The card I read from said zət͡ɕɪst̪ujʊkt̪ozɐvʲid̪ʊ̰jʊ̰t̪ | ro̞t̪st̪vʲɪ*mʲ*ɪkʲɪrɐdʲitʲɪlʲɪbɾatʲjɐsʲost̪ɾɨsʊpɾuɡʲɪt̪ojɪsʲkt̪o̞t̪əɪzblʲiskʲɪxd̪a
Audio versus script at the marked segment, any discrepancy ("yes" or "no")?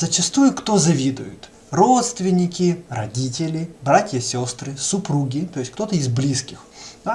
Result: yes